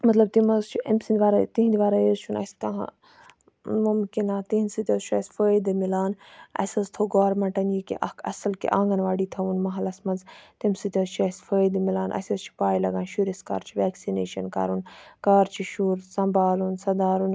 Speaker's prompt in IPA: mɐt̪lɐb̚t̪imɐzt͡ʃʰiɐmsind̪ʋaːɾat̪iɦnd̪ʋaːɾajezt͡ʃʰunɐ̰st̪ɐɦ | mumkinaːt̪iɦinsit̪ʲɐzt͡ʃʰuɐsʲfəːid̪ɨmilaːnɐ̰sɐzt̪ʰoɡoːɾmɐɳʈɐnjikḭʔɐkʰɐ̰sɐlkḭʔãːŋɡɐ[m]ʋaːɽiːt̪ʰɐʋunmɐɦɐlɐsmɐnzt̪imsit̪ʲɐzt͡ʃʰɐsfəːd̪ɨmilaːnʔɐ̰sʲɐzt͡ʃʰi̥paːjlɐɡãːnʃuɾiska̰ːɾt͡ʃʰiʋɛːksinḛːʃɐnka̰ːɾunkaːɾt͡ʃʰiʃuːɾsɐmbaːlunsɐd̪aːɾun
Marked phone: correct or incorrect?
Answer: incorrect: n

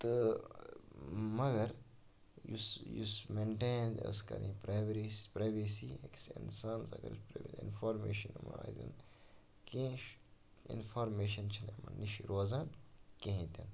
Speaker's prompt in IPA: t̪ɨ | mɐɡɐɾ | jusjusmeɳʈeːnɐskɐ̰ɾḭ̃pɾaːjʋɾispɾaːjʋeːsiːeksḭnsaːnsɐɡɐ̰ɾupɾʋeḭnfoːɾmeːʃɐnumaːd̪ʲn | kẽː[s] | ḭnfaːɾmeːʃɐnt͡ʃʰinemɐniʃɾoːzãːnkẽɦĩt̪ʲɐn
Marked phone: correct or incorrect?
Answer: incorrect: ʃ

